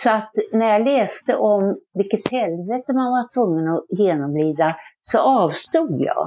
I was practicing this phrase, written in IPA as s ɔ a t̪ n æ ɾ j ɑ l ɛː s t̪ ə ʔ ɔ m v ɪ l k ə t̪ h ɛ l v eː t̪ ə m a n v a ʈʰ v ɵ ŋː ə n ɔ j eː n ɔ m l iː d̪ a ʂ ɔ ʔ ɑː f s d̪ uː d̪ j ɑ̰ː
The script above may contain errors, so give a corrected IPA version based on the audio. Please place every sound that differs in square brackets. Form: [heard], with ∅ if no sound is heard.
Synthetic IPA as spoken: s ɔ a t̪ n æ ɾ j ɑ l ɛː s t̪ ə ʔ ɔ m v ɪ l k ə t̪ h ɛ l v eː t̪ ə m a n v a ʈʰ v ɵ ŋː ə n ɔ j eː n ɔ m l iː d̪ a [s] ɔ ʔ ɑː [v] s [t̪] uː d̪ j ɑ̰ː